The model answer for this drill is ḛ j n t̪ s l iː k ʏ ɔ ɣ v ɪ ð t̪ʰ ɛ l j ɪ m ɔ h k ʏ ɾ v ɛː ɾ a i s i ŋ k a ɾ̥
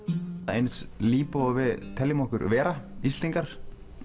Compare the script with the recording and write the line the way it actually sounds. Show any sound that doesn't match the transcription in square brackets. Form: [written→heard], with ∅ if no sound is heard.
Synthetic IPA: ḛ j n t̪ s l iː [k→p] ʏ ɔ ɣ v ɪ ð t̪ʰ ɛ l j ɪ m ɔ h k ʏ ɾ v ɛː ɾ a i s i ŋ k a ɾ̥